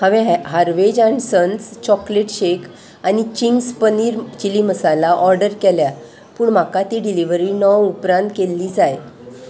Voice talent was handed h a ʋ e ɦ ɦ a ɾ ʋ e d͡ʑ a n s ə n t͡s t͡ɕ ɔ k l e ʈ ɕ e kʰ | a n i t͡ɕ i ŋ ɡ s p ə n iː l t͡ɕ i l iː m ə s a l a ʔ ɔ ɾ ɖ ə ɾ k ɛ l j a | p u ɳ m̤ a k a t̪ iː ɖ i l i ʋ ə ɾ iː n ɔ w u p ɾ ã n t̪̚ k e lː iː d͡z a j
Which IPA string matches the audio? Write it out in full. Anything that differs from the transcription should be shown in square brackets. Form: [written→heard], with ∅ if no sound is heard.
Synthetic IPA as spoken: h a ʋ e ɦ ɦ a ɾ ʋ e d͡ʑ a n s ə n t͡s t͡ɕ ɔ k l e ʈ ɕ e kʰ | a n i t͡ɕ i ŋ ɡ s p ə n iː [l→ɾ] t͡ɕ i l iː m ə s a l a ʔ ɔ ɾ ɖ ə ɾ k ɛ l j a | p [u→uː] ɳ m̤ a k a t̪ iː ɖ i l i ʋ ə ɾ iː n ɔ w u p ɾ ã n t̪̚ k e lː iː d͡z a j